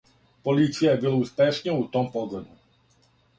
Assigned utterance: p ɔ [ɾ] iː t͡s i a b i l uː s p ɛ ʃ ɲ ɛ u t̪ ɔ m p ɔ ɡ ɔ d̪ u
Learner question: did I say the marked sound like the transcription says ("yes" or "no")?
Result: no